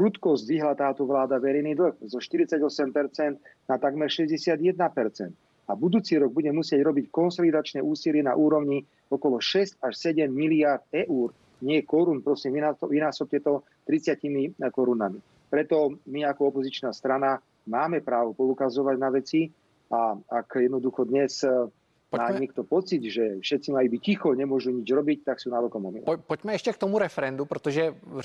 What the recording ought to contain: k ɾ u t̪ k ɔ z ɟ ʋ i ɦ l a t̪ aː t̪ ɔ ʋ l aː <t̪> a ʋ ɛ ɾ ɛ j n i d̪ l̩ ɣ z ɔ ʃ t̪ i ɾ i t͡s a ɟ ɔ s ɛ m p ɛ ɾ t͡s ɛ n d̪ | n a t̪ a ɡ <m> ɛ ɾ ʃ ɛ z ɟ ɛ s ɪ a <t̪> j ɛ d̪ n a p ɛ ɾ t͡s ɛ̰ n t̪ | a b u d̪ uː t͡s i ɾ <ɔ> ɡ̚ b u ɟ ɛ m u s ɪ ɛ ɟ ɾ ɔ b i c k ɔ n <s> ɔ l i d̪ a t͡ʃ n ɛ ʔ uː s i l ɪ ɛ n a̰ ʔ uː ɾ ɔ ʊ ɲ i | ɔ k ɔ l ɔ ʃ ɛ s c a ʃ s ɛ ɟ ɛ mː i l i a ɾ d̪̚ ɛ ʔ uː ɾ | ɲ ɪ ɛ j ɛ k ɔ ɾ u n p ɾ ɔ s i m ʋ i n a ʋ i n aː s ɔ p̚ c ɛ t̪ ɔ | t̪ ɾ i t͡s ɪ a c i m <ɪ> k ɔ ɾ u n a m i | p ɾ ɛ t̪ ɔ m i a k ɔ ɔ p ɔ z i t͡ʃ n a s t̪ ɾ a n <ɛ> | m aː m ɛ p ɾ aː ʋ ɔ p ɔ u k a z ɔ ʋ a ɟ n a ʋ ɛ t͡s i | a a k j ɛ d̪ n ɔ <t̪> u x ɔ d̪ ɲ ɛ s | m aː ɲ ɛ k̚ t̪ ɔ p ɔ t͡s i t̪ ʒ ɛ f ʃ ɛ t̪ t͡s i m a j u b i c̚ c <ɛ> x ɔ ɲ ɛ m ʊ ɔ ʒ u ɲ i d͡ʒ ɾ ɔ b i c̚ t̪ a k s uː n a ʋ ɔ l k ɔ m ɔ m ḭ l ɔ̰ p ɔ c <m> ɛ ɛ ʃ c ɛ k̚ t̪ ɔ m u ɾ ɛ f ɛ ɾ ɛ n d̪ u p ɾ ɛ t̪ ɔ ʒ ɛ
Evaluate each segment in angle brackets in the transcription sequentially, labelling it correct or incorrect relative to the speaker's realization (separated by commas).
incorrect, correct, incorrect, correct, correct, incorrect, incorrect, incorrect, incorrect, correct